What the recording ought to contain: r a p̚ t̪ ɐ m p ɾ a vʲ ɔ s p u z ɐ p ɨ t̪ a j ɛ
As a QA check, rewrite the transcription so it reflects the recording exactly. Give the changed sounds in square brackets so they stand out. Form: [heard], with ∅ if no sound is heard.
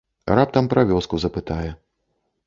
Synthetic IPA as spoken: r a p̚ t̪ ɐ m p ɾ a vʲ ɔ s [k] u z ɐ p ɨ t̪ a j ɛ